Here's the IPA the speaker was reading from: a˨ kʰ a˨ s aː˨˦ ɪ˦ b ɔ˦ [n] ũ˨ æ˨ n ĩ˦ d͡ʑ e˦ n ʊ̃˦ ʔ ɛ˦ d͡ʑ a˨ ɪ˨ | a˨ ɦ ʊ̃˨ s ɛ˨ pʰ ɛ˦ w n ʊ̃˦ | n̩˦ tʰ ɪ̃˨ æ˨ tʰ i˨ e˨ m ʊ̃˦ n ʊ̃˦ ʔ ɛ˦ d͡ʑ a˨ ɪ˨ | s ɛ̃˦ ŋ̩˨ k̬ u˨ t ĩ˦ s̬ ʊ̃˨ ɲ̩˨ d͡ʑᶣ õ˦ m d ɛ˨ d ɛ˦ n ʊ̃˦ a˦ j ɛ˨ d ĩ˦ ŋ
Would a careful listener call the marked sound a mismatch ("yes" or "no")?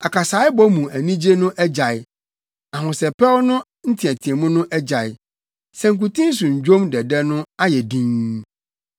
yes